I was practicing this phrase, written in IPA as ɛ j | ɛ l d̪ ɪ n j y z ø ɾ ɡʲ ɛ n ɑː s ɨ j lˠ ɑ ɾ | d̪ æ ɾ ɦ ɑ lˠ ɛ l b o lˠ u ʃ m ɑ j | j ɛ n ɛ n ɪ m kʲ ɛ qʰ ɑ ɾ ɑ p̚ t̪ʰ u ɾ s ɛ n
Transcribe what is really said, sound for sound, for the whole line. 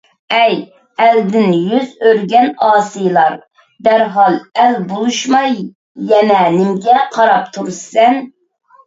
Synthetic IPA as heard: ɛ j | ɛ l d̪ ɪ n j y z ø ɾ ɡʲ ɛ n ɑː s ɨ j lˠ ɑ ɾ | d̪ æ ɾ ɦ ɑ lˠ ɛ l b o lˠ u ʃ m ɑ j | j ɛ n ɛ n ɪ m ɡʲ ɛ qʰ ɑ ɾ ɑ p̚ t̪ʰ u ɾ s ɛ n